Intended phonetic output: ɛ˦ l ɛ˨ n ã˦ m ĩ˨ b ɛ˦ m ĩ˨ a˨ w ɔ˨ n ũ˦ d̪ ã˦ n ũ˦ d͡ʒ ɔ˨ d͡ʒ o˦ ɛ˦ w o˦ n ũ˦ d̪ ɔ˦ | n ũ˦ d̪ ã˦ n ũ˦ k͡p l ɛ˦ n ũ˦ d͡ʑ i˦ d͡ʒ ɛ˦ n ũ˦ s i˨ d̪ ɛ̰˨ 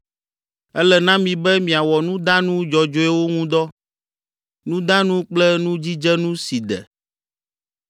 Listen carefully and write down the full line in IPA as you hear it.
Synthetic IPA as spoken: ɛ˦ l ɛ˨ n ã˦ m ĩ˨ b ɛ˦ m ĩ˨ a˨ w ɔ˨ n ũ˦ d̪ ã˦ n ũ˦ d͡ʒ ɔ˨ d͡ʒ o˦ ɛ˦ w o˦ ŋ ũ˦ d̪ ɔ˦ | n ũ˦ d̪ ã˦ n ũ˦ k͡p l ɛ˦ n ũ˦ d͡ʑ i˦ d͡ʒ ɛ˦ n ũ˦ s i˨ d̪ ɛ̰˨